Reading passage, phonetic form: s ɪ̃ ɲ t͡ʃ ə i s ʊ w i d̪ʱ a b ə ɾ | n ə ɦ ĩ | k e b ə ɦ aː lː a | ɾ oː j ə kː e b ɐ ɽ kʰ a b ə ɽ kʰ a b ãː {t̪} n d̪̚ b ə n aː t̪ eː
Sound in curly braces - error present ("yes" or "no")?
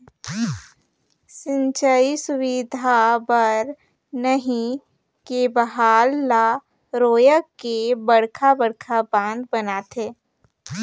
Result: yes